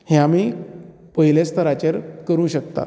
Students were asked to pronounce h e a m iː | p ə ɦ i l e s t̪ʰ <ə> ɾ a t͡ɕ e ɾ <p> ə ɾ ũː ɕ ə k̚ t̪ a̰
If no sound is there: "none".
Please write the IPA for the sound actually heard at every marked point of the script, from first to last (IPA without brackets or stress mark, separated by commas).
ə, k